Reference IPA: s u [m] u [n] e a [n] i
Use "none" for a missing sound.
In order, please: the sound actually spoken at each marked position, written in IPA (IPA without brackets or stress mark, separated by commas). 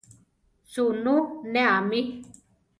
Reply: n, n, m